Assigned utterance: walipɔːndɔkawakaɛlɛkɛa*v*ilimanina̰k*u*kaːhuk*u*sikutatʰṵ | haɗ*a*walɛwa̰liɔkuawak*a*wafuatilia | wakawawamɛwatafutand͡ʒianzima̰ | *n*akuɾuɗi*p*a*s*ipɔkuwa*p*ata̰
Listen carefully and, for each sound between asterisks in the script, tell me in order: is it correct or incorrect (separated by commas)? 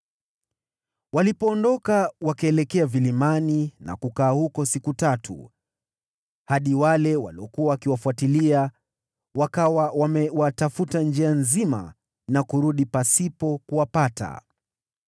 correct, correct, incorrect, incorrect, incorrect, correct, correct, correct, correct